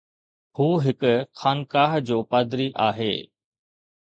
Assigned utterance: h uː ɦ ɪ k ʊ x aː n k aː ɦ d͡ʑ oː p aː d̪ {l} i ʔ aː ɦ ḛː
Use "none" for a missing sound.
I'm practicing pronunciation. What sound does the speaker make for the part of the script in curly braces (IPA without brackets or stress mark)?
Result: ɾ